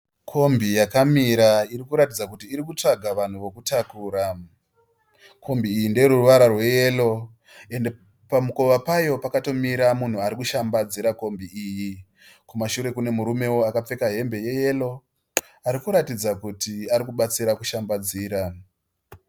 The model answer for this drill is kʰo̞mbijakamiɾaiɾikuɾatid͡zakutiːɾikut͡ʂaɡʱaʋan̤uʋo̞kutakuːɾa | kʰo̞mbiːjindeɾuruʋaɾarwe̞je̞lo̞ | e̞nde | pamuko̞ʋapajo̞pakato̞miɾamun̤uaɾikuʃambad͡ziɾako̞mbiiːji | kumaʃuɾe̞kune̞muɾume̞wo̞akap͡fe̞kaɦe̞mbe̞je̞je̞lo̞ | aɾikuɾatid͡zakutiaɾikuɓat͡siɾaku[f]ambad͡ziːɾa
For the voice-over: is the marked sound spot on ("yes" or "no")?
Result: no